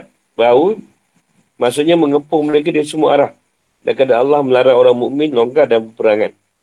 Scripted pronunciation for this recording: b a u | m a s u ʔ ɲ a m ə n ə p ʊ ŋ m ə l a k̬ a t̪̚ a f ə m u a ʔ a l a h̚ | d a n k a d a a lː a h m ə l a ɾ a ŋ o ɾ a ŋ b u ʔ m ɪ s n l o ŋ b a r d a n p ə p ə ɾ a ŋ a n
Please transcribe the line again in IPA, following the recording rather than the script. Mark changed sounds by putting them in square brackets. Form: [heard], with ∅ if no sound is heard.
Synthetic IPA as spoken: b a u | m a s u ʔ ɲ a m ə [ŋ] ə p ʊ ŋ m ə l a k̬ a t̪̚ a [s] ə m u a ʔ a [ɾ] a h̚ | d a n k a d a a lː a h m ə l a ɾ a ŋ o ɾ a ŋ [m] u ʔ m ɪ [∅] n l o ŋ [ɡ] a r d a n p ə p ə ɾ a ŋ a n